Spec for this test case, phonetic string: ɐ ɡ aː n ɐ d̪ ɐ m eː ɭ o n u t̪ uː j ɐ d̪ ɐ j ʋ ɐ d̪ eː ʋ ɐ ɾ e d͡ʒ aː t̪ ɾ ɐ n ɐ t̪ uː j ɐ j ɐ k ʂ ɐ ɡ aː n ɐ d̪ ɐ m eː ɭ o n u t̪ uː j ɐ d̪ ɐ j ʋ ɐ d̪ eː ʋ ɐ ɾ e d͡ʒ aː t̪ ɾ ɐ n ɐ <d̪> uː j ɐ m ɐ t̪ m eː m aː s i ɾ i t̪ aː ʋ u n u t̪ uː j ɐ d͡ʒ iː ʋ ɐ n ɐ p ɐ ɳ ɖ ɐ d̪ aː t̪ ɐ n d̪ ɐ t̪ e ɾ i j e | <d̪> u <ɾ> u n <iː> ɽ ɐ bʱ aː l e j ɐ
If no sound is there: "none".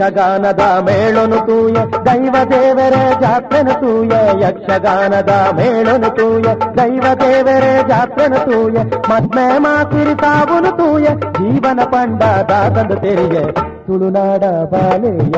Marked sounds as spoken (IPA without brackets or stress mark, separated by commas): t̪, t̪, ɭ, aː